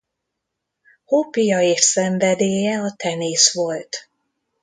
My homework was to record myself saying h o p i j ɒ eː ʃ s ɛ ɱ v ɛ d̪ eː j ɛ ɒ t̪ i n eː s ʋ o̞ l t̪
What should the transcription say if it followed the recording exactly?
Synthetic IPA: h o p i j ɒ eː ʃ s ɛ ɱ v ɛ d̪ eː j ɛ ɒ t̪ ɛ n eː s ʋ o̞ l t̪